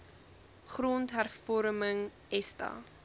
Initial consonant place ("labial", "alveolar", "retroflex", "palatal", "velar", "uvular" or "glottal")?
uvular